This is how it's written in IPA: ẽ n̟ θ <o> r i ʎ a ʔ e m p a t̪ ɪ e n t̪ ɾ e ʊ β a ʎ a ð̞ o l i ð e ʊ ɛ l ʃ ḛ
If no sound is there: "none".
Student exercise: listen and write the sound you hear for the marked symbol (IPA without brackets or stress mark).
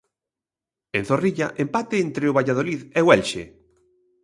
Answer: o